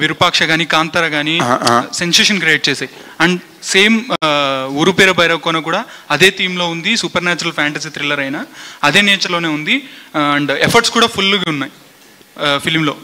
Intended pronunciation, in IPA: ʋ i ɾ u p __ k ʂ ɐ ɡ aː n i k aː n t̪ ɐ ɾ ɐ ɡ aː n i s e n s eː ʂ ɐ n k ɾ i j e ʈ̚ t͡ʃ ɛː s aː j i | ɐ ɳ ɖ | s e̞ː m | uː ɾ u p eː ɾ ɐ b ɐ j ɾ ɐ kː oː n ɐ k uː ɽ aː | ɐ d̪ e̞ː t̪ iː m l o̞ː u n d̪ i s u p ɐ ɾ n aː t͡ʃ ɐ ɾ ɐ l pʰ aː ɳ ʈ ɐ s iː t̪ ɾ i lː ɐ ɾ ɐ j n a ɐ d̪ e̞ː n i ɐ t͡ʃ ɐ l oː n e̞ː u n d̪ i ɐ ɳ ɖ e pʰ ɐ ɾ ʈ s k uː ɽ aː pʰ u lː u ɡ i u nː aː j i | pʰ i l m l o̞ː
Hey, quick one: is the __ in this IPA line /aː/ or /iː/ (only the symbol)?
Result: aː